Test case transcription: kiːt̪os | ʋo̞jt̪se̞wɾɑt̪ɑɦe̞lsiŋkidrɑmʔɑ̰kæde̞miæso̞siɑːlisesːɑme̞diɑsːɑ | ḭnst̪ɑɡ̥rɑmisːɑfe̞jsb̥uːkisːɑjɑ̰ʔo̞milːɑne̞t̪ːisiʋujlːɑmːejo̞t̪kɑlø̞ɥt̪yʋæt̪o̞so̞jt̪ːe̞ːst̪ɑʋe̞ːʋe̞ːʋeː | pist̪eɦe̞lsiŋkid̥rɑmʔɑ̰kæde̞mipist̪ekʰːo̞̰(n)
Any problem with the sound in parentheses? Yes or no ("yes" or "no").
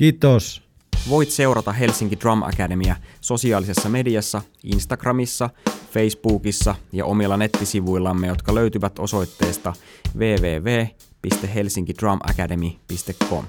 yes